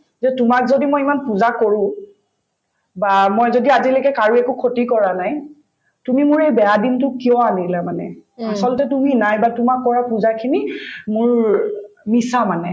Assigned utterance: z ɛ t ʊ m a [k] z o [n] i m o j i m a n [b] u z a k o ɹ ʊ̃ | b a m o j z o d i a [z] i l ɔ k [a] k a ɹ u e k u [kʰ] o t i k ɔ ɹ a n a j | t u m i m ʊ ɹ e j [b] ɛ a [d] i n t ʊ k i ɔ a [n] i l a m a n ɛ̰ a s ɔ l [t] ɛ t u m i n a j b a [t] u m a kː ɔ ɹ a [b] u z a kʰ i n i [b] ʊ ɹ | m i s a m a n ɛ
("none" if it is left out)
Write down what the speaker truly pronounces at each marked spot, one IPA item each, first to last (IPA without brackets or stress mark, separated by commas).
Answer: k, d, p, z, ɛ, kʰ, b, d, n, t, t, p, m